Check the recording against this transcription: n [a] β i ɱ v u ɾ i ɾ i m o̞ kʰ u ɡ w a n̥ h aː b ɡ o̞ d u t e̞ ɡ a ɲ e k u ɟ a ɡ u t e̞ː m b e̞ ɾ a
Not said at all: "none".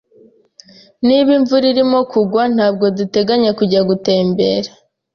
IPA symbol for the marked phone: i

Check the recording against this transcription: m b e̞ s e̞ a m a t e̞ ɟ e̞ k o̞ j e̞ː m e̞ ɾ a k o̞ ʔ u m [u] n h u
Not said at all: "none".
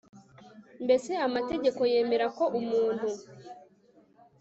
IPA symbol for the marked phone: uː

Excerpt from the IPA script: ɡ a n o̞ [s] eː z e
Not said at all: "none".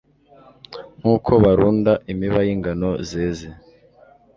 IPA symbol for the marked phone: z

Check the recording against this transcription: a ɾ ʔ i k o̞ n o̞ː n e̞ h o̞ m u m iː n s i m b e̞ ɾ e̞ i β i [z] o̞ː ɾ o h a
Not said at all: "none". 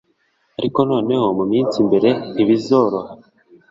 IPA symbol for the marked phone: z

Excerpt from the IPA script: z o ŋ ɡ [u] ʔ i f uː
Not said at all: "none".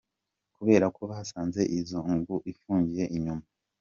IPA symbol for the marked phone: u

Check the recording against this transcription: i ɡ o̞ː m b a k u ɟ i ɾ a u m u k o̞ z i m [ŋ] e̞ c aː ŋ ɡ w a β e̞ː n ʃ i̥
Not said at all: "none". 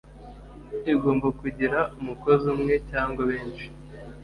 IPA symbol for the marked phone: ŋ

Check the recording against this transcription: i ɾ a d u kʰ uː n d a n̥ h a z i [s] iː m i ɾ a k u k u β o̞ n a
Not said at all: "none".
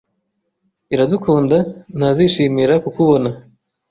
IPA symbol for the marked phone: ʃ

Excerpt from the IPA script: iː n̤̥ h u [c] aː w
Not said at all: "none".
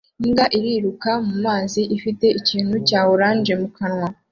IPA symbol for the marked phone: c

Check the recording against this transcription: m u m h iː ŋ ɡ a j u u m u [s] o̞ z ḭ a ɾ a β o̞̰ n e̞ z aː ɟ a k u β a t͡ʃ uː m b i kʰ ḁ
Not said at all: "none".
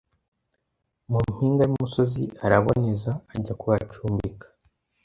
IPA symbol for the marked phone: s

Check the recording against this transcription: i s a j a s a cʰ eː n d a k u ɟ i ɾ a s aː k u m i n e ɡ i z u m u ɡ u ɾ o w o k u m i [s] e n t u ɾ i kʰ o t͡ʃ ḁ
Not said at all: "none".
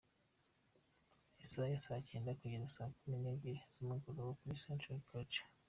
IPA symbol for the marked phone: s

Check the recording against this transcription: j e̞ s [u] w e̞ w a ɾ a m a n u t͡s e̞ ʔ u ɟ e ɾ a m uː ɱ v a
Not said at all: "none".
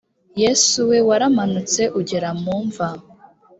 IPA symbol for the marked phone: u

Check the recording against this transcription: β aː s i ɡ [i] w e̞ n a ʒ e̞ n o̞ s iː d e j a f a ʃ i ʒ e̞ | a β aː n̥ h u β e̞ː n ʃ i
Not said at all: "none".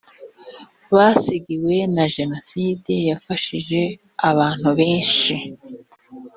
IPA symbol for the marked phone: i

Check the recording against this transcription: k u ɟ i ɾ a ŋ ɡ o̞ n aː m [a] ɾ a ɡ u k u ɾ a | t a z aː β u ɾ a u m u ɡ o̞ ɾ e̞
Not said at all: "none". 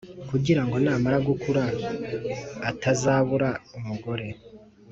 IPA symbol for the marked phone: a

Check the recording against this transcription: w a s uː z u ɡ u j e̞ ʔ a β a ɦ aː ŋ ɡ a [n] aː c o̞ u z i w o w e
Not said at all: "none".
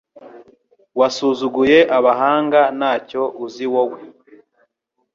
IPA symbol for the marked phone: n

